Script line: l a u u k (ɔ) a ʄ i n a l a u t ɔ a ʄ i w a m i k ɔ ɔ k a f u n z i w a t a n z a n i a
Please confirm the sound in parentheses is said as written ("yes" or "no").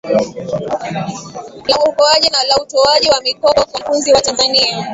yes